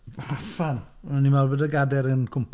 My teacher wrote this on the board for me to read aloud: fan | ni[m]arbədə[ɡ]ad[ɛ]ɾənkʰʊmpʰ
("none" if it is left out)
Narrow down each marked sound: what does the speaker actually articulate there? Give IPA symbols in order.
m, ɡ, ɛ

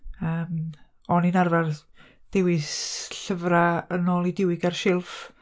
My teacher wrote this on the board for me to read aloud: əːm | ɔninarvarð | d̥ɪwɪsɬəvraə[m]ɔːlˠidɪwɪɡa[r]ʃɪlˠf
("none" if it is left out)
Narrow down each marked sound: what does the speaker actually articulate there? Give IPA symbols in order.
n, r

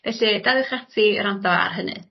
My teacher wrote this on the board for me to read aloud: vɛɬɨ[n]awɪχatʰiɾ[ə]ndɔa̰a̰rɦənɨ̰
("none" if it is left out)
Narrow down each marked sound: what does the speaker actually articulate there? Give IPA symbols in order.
d, a

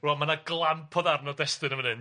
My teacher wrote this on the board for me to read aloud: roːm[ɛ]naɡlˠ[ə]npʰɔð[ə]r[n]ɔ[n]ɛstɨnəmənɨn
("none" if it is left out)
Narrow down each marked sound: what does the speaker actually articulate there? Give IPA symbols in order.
a, a, a, n, d

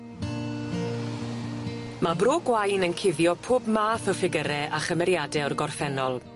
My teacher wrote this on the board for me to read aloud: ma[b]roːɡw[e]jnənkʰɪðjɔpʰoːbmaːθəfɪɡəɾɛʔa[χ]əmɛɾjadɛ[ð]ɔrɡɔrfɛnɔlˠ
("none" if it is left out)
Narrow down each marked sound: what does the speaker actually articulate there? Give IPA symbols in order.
b, a, χ, none

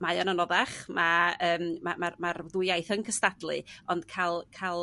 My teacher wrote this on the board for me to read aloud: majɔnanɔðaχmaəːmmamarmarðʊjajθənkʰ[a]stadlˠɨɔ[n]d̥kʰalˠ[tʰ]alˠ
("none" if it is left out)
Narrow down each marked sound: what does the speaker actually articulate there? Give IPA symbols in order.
ə, n, kʰ

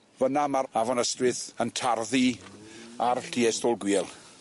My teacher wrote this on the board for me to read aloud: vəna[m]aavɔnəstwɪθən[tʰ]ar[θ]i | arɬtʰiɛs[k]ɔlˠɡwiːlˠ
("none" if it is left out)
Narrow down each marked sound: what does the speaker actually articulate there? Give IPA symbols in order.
m, tʰ, ð, t

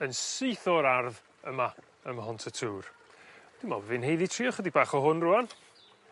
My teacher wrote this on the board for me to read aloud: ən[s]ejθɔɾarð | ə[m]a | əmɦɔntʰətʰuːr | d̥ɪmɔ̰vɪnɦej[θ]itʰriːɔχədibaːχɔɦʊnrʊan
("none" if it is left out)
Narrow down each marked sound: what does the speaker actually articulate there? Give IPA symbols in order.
s, m, ð

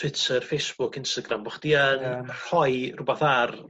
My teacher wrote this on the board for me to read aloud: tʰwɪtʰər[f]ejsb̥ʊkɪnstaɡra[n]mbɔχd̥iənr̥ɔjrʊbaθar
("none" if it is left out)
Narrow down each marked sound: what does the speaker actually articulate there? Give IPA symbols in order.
f, none

